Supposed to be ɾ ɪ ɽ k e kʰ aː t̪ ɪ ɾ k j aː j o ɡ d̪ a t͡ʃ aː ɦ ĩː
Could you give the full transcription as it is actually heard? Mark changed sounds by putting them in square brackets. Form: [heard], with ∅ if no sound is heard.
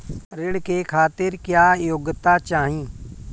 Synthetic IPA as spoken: ɾ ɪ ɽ k e kʰ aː t̪ ɪ ɾ k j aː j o ɡ [t̪] a t͡ʃ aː ɦ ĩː